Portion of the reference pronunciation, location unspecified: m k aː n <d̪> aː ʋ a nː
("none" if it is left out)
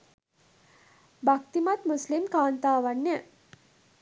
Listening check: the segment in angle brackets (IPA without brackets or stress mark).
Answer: t̪